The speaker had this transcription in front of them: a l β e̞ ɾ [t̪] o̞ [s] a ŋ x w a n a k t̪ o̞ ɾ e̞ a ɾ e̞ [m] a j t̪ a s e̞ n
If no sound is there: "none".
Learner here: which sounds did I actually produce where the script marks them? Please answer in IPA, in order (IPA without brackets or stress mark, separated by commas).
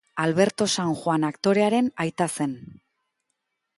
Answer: t̪, s, n